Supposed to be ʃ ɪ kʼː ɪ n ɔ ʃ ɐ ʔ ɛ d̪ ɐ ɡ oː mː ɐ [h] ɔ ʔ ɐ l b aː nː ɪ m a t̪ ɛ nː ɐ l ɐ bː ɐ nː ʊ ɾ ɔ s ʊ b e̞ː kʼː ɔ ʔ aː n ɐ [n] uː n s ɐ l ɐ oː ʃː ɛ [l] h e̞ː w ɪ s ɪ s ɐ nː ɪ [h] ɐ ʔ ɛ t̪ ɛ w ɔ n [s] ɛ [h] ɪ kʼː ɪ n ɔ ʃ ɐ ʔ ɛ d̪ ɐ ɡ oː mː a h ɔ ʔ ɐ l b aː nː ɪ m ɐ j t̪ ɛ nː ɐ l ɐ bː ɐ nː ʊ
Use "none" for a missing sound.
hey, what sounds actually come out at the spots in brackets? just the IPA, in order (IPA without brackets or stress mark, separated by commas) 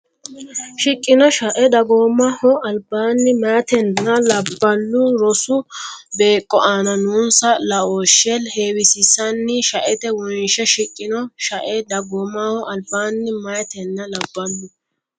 h, n, l, ʃ, ʃ, ʃ